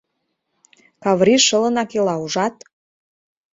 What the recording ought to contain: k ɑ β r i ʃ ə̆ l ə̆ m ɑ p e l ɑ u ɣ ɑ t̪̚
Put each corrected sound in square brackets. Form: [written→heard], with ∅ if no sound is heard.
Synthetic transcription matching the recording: k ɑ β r i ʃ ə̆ l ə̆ [m→n] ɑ [p→k] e l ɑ u [ɣ→ʒ] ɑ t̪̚